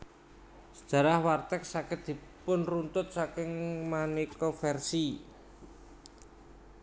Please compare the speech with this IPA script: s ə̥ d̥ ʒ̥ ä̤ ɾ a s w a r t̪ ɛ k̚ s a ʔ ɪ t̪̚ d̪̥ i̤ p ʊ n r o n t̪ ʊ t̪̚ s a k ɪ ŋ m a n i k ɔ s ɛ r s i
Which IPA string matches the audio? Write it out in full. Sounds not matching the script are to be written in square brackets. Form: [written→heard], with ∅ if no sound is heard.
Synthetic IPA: s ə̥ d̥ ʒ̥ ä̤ ɾ a [s→h] w a r t̪ ɛ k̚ s a [ʔ→k] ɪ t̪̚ d̪̥ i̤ p ʊ n r [o→u] n t̪ ʊ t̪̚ s a k ɪ ŋ m a n i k ɔ [s→f] ɛ r s i